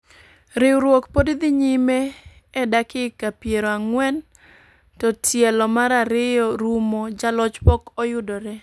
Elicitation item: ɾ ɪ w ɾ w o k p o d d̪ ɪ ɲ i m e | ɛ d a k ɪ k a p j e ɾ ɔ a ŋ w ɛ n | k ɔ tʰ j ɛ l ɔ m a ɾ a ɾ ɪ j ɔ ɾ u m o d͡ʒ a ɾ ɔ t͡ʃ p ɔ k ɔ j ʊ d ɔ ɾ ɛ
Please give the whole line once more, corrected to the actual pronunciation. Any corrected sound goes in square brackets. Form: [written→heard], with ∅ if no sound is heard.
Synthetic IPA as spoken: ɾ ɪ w ɾ w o k p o d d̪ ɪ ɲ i m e | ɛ d a k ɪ k a p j e ɾ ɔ a ŋ w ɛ n | [k→t] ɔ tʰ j ɛ l ɔ m a ɾ a ɾ ɪ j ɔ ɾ u m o d͡ʒ a [ɾ→l] ɔ t͡ʃ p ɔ k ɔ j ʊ d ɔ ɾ ɛ